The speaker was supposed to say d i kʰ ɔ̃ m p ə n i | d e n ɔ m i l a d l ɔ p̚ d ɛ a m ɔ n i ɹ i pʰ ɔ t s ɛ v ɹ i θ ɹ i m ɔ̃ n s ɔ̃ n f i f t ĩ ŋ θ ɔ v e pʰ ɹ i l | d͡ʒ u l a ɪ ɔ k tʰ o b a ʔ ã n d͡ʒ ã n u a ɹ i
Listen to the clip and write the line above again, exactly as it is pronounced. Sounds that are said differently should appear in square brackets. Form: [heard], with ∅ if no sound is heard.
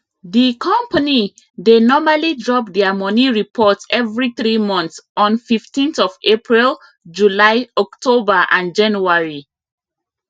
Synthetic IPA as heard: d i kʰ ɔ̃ m p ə n i | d e n ɔ m [a] l [i] d [ɹ] ɔ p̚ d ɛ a m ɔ n i ɹ i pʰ ɔ t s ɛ v ɹ i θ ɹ i m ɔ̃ n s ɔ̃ n f i f t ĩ [n] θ ɔ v e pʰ ɹ i l | d͡ʒ u l a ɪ ɔ k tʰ o b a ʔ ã n d͡ʒ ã n u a ɹ i